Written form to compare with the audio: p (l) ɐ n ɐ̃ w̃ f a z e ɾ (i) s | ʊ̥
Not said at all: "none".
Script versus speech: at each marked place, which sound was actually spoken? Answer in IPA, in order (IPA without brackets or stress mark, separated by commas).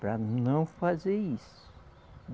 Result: ɾ, i